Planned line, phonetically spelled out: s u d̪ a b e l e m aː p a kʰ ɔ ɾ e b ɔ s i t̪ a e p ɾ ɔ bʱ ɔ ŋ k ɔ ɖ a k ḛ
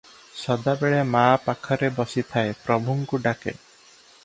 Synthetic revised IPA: s ɔ d̪ a b e ɭ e m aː p a kʰ ɔ ɾ e b ɔ s i t̪ʰ a e p ɾ ɔ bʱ u ŋ k u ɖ a k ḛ